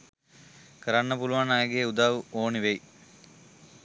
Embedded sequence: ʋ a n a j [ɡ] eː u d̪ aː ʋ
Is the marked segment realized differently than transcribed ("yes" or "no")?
no